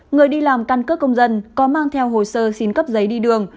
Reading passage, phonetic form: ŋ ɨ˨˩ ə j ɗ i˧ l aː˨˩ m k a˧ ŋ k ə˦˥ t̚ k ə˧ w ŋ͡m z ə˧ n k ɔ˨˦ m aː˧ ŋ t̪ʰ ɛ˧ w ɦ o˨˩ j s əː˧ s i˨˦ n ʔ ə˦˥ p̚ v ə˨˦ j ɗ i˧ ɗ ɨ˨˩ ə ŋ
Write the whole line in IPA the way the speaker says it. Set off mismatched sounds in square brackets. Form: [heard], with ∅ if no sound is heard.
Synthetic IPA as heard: ŋ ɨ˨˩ ə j ɗ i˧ l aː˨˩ m k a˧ [n] k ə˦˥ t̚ k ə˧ w ŋ͡m z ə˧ n k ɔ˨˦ m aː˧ ŋ t̪ʰ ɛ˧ w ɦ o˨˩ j s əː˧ s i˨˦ n [k] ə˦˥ p̚ [z] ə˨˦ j ɗ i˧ ɗ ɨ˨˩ ə ŋ